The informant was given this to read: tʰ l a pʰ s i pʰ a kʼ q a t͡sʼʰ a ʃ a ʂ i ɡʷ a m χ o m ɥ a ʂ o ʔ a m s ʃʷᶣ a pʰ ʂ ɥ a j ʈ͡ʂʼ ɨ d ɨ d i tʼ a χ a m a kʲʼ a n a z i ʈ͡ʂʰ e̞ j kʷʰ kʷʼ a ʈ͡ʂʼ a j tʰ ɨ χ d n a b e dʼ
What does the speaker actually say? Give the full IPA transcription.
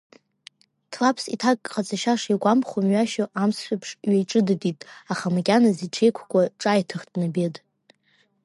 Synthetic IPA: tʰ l a pʰ s i tʰ a kʼ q a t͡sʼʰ a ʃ a ʂ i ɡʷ a m χ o m ɥ a ʃ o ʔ a m s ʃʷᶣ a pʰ ʂ ɥ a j ʈ͡ʂʼ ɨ d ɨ d i tʼ a χ a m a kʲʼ a n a z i ʈ͡ʂʰ e̞ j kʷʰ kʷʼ a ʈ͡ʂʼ a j tʰ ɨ χ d n a b e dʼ